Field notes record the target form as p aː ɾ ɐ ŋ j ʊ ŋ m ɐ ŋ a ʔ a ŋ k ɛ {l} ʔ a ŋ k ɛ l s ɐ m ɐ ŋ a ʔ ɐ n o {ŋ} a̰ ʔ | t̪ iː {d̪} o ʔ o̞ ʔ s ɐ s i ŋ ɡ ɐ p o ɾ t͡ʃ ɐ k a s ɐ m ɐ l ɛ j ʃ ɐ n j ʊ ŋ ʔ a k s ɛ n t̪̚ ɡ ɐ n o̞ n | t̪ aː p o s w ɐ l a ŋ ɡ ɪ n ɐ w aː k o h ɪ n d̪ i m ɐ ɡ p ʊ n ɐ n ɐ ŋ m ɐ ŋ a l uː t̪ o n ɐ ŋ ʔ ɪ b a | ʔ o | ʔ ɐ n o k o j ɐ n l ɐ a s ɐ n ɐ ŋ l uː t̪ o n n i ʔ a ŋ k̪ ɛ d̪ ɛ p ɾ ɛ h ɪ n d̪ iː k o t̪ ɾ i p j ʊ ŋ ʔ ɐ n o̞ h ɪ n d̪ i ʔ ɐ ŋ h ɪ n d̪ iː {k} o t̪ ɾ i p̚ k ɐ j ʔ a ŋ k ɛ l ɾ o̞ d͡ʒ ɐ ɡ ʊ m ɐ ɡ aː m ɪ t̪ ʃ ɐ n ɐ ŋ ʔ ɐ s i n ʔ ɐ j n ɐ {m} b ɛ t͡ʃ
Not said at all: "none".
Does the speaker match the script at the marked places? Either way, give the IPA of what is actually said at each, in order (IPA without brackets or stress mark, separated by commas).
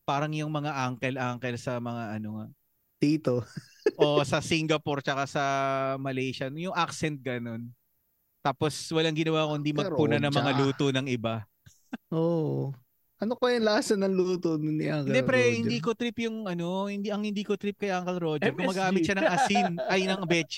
l, ŋ, t̪, k, ŋ